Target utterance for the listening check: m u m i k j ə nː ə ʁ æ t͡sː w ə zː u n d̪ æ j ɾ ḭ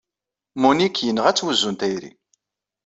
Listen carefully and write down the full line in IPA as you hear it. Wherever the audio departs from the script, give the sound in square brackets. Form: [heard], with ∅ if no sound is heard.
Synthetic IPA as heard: m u [n] i k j ə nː ə ʁ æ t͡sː w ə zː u n [t̪] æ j ɾ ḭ